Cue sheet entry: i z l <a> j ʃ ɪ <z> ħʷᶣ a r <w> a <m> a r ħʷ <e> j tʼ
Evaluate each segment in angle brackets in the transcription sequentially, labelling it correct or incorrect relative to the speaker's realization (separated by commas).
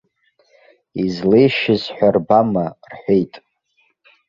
incorrect, correct, incorrect, correct, correct